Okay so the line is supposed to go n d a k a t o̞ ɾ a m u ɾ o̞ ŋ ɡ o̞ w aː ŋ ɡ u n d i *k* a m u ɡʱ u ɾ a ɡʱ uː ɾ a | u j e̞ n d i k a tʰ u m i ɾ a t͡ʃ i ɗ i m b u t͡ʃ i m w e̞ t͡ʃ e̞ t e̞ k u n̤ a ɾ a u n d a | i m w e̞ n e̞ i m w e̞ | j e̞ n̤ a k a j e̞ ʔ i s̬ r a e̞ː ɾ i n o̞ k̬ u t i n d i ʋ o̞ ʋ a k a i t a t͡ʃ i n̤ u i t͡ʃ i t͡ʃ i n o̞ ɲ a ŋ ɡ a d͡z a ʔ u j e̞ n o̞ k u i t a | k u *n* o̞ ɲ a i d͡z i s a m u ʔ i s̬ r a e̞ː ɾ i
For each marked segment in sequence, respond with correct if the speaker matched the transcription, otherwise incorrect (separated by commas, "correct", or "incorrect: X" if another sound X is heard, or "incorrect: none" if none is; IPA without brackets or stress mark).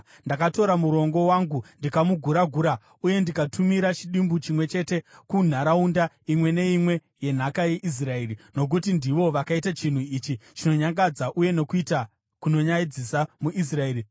correct, correct